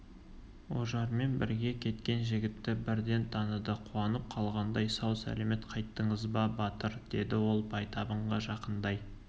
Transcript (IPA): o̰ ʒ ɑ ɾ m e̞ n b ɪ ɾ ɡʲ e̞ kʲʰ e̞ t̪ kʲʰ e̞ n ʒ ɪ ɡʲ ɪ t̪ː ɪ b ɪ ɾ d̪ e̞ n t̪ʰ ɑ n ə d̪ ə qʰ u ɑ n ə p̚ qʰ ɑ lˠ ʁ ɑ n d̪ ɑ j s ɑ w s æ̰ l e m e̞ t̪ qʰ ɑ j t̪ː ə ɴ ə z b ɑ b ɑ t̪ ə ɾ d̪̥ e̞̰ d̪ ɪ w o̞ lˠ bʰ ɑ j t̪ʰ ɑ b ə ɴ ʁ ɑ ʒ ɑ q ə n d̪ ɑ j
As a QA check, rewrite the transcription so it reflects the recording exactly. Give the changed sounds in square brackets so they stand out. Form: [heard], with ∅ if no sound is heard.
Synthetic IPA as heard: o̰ ʒ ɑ ɾ m e̞ n b ɪ ɾ ɡʲ e̞ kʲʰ e̞ t̪ [kʲ] e̞ n ʒ ɪ ɡʲ ɪ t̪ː ɪ b ɪ ɾ d̪ e̞ n t̪ʰ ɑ n ə d̪ ə qʰ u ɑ n ə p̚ qʰ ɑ lˠ ʁ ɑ n d̪ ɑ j s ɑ w s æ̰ l e m e̞ t̪ qʰ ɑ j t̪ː ə ɴ ə z b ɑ b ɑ t̪ ə ɾ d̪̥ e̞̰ d̪ ɪ w o̞ lˠ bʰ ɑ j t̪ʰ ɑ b ə ɴ ʁ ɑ ʒ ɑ q ə n d̪ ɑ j